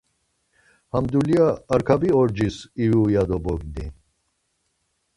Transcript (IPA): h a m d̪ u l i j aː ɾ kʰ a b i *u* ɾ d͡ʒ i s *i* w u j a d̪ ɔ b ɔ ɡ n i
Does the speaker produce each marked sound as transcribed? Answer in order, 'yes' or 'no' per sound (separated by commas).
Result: no, yes